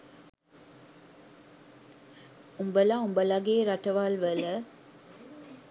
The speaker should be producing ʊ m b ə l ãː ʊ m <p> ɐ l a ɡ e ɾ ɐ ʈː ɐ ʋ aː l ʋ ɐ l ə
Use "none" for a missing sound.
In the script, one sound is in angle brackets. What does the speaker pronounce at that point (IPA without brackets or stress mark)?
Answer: b